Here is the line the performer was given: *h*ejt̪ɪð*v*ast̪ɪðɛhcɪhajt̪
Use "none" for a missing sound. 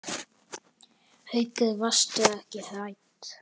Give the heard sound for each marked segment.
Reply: h, v

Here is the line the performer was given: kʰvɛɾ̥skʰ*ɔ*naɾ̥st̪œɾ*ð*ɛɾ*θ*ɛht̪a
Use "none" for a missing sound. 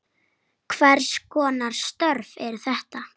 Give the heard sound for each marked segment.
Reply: ɔː, v, θ

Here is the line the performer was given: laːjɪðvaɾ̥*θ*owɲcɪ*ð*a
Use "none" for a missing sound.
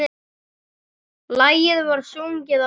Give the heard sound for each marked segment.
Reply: s, ð

